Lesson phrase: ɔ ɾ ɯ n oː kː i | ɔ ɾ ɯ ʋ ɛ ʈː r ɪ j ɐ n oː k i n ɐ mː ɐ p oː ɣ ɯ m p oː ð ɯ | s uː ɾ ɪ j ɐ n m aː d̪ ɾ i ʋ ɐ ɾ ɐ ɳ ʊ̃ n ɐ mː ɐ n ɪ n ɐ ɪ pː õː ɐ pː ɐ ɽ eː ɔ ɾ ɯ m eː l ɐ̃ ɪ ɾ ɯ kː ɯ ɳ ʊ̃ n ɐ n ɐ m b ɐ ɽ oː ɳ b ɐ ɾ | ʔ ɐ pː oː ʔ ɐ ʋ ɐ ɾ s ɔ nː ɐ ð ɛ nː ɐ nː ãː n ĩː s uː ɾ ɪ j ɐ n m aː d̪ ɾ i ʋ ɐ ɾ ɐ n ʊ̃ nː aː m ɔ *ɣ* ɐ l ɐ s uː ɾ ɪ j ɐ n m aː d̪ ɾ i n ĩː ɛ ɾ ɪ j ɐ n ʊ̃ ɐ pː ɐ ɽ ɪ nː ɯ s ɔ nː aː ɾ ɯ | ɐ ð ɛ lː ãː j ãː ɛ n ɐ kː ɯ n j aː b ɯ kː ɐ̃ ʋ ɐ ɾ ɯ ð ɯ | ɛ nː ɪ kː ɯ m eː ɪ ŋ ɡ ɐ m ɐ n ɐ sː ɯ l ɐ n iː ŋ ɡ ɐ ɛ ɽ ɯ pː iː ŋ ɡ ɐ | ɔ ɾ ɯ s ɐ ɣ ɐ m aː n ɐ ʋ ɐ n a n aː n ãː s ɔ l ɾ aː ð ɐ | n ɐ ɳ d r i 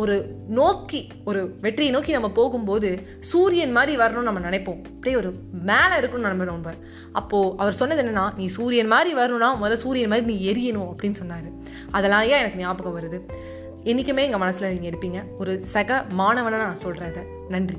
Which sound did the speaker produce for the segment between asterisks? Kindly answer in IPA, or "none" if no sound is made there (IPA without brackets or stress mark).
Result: ð